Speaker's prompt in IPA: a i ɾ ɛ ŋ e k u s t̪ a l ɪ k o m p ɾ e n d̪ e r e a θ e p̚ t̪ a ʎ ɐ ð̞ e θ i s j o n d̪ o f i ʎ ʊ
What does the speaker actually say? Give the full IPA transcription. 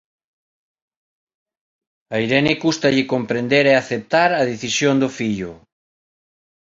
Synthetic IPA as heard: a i ɾ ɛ n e k u s t̪ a ʎ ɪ k o m p ɾ e n d̪ e ɾ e a θ e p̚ t̪ a ɾ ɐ ð̞ e θ i s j o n d̪ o f i ʎ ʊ